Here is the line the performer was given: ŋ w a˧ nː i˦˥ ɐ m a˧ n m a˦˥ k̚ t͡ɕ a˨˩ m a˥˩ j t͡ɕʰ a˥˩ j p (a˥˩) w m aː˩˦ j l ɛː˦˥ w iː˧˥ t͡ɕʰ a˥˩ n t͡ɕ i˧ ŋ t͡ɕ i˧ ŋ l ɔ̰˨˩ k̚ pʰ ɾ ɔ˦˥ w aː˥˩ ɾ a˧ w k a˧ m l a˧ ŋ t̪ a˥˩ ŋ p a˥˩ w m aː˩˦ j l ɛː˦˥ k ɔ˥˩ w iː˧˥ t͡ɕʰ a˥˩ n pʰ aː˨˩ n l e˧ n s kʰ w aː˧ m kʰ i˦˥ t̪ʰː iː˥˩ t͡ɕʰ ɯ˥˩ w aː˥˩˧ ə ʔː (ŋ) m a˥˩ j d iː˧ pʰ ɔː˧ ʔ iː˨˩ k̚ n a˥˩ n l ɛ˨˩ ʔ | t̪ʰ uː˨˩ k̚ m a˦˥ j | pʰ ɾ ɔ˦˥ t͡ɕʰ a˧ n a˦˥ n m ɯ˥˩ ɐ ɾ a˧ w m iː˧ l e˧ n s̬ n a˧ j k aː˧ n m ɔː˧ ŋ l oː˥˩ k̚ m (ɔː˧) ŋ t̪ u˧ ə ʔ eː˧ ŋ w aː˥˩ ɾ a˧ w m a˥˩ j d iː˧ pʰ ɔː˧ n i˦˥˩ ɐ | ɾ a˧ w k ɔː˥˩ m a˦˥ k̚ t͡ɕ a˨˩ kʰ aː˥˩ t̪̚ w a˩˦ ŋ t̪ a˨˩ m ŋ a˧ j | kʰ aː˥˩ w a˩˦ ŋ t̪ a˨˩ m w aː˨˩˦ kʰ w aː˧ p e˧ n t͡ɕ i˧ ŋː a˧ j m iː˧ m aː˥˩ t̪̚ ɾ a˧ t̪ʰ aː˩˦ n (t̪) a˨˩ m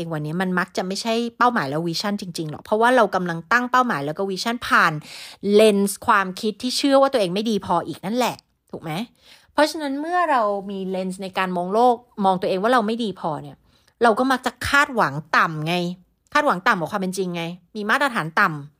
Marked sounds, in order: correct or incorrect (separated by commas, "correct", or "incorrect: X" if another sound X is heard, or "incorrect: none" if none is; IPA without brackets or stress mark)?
correct, correct, correct, correct